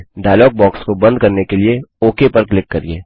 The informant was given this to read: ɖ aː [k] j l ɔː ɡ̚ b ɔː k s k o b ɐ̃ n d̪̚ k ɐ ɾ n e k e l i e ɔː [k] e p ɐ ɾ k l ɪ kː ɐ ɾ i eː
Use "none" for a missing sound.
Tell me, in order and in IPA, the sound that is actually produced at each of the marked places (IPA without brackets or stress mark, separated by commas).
none, k